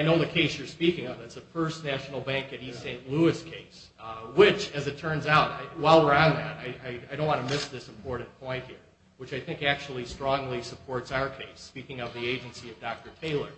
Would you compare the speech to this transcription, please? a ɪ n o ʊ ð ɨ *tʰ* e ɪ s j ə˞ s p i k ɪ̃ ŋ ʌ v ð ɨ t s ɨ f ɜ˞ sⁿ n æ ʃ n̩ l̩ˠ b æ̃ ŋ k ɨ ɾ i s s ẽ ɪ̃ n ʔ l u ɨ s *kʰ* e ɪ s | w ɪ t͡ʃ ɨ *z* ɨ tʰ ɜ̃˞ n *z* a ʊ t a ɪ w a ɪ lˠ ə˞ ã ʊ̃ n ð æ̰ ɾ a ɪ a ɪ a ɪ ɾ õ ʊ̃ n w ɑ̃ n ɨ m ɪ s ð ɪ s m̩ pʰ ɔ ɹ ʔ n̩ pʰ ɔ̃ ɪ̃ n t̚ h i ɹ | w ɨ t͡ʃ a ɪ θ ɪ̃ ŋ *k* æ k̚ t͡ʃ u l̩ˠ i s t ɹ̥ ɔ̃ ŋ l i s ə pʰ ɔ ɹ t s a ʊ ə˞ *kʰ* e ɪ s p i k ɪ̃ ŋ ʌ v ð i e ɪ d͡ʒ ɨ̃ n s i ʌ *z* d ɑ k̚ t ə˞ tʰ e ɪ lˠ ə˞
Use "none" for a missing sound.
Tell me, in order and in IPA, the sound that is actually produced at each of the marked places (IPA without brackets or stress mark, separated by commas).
kʰ, kʰ, z, z, k, kʰ, v